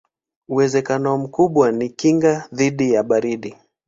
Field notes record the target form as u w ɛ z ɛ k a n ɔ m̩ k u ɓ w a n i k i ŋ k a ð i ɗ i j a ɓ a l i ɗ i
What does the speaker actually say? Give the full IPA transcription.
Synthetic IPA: u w ɛ z ɛ k a n ɔ m̩ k u ɓ w a n i k i ŋ ɡ a ð i ɗ i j a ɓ a ɾ i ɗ i

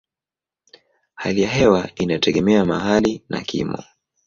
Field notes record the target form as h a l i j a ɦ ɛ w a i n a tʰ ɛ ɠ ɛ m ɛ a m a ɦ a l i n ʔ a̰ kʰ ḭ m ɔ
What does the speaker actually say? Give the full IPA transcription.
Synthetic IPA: h a l i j a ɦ ɛ w a i n a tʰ ɛ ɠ ɛ m ɛ a m a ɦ a l i n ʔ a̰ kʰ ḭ m ɔ

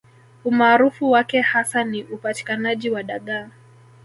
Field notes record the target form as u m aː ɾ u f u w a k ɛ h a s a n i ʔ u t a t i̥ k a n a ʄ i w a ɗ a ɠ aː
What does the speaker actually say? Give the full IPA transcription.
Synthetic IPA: u m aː ɾ u f u w a k ɛ h a s a n i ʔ u p a t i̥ k a n a ʄ i w a ɗ a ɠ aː

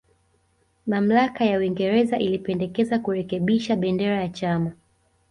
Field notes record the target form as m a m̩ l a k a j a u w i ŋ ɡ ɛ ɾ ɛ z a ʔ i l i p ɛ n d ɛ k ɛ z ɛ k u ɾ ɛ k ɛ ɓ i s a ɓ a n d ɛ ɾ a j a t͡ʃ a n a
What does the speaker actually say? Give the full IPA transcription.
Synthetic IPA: m a m̩ l a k a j a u w i ŋ ɡ ɛ ɾ ɛ z a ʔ i l i p ɛ n d ɛ k ɛ z a k u ɾ ɛ k ɛ ɓ i ʃ a ɓ ɛ n d ɛ ɾ a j a t͡ʃ a m a

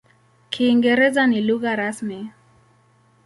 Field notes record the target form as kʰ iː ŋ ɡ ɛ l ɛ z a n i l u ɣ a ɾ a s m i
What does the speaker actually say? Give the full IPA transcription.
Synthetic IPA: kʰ iː ŋ ɡ ɛ ɾ ɛ z a n i l u ɣ a ɾ a s m i

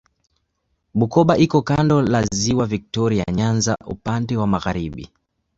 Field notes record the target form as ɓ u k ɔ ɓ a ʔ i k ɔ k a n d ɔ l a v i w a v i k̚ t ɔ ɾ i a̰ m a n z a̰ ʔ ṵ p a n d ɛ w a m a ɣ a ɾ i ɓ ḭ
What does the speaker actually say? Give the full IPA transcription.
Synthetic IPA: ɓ u k ɔ ɓ a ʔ i k ɔ k a n d ɔ l a z i w a v i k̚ t ɔ ɾ i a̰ ɲ a n z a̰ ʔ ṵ p a n d ɛ w a m a ɣ a ɾ i ɓ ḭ

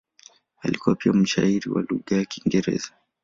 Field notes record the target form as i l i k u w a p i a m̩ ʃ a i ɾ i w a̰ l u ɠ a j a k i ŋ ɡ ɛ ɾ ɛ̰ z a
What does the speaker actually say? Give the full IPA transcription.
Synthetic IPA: a l i k u w a p i a m̩ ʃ a i ɾ i w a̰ l u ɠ a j a k i ŋ ɡ ɛ ɾ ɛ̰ z a

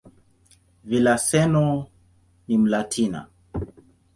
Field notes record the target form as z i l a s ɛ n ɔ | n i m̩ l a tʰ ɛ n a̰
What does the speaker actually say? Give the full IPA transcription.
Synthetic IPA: v i l a s ɛ n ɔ | n i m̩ l a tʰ i n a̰

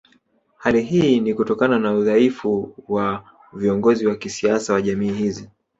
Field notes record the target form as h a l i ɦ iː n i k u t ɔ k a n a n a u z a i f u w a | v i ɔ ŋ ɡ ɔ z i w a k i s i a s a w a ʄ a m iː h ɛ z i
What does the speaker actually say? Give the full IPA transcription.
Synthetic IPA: h a l i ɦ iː n i k u t ɔ k a n a n a u ð a i f u w a | v i ɔ ŋ ɡ ɔ z i w a k i s i a s a w a ʄ a m iː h i z i

